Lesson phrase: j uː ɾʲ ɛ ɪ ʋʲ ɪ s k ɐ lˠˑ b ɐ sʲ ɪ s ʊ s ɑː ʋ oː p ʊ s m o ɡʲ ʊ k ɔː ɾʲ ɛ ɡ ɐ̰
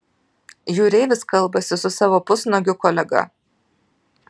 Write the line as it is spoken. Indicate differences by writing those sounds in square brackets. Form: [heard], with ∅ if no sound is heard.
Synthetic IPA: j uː ɾʲ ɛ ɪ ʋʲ ɪ s k ɐ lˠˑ b ɐ sʲ ɪ s ʊ s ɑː ʋ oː p ʊ s [n] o ɡʲ ʊ k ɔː [lʲ] ɛ ɡ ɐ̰